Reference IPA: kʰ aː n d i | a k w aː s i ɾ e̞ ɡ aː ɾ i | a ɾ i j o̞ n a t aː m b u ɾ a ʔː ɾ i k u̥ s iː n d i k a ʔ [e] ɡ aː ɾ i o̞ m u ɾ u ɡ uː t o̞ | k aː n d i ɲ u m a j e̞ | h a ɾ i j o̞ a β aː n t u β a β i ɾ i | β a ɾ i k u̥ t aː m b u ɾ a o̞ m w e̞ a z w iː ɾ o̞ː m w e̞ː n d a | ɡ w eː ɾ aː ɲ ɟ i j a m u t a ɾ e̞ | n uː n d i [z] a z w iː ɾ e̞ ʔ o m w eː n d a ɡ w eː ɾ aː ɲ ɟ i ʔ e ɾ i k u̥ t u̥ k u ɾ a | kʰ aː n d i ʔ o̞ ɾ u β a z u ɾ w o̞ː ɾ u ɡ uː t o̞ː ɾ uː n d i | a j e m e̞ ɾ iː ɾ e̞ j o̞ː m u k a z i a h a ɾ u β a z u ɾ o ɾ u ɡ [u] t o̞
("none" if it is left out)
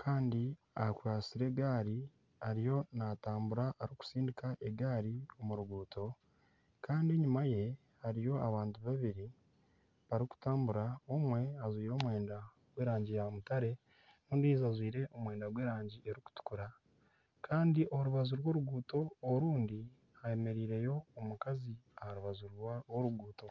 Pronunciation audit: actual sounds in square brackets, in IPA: e, z, uː

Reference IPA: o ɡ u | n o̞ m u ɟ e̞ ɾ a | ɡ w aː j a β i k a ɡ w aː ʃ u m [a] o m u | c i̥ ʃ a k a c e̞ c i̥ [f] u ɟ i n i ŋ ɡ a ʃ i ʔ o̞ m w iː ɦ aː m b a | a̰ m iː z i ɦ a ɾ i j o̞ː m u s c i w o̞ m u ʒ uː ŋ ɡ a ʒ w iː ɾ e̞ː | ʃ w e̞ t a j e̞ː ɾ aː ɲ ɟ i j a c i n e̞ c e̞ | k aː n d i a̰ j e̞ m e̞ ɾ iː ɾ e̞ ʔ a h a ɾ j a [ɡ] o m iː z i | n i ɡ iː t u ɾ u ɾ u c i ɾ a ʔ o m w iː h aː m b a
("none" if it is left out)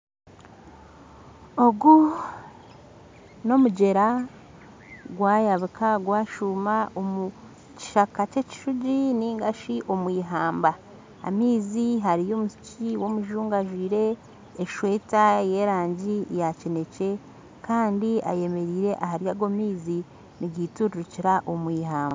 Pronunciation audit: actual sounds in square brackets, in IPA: a, ʃ, ɡ

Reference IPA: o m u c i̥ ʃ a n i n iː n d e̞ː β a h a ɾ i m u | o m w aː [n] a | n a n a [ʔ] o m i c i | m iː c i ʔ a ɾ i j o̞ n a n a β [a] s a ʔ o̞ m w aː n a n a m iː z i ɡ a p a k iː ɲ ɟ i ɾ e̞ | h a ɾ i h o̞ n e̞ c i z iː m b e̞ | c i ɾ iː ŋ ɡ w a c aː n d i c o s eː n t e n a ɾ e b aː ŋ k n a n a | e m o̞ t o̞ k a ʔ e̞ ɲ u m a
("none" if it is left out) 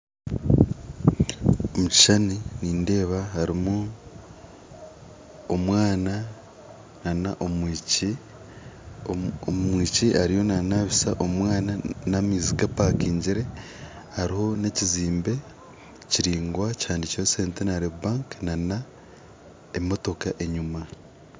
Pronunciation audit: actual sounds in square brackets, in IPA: n, ʔ, i

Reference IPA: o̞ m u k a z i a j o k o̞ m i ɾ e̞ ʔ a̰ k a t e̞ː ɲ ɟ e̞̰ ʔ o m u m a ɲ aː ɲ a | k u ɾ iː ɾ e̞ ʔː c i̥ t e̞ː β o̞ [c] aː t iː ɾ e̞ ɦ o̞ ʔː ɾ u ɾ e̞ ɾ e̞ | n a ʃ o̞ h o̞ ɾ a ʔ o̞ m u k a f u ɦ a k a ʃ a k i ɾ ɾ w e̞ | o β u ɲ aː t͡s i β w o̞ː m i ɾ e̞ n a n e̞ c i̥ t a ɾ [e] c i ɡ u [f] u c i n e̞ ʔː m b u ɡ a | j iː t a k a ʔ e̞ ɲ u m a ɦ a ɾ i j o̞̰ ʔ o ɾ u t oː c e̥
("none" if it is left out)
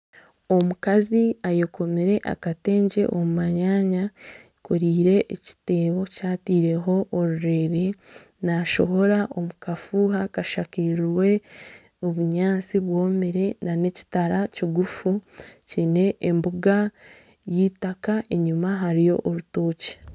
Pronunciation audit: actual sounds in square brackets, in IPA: c, a, f

